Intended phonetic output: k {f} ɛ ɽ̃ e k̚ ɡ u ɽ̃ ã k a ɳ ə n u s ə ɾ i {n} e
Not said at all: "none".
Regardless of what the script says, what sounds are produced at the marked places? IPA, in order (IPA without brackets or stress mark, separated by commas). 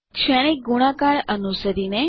ʃ, n